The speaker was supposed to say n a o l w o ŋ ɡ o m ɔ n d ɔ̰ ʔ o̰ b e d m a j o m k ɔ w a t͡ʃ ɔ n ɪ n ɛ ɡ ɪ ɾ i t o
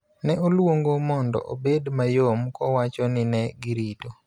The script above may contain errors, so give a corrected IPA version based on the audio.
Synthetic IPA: n ɛ o l w o ŋ ɡ o m ɔ n d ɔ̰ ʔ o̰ b e d m a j o m k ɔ w a t͡ʃ ɔ n ɪ n ɛ ɡ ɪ ɾ i t o